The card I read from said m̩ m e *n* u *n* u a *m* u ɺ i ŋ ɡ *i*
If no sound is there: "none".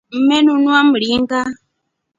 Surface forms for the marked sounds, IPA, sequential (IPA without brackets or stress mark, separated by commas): n, n, m, a